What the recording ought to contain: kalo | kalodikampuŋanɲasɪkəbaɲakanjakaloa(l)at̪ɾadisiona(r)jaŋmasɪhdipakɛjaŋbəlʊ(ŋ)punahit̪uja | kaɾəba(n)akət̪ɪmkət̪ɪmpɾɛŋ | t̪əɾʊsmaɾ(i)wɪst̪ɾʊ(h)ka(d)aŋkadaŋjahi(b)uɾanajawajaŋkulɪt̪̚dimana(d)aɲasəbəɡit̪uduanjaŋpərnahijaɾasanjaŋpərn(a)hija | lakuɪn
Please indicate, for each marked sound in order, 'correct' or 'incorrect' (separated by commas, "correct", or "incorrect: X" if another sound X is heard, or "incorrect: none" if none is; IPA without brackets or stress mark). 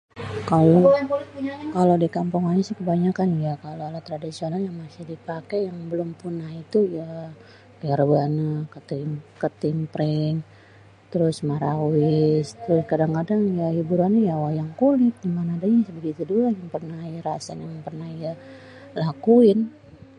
correct, incorrect: l, incorrect: m, correct, incorrect: a, incorrect: s, correct, correct, correct, correct